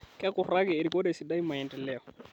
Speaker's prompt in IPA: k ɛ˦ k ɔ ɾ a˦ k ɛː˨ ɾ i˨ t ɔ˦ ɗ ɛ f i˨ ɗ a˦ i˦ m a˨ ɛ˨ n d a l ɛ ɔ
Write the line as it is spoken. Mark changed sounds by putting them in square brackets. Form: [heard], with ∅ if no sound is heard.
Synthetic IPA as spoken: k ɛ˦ k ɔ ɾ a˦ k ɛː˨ ɾ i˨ [k] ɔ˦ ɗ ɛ [s] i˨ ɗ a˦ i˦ m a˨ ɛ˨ n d [ɛ] l ɛ ɔ